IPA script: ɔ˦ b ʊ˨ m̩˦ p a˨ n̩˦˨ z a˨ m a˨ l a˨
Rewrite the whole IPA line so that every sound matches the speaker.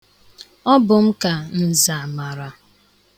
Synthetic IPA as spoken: ɔ˦ b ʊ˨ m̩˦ k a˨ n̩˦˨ z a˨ m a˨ ɾ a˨